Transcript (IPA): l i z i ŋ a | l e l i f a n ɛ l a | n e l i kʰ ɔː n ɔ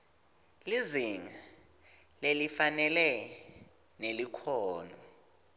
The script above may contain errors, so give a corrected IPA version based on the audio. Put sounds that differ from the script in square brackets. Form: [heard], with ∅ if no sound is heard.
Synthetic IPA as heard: l i z i ŋ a | l e l i f a n ɛ l [ɛ] | n e l i kʰ ɔː n ɔ